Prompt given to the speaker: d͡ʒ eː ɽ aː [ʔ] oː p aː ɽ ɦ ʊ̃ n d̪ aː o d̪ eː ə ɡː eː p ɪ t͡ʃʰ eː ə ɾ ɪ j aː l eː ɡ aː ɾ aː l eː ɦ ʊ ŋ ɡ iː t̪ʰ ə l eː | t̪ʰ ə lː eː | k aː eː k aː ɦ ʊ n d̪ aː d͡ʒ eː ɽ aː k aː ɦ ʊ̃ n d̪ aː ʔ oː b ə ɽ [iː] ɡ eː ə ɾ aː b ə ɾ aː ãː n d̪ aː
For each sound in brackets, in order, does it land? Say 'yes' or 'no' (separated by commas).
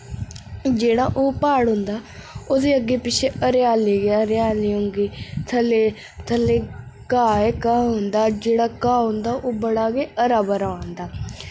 yes, no